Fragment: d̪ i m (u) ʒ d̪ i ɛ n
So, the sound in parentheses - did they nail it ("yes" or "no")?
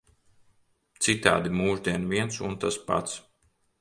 no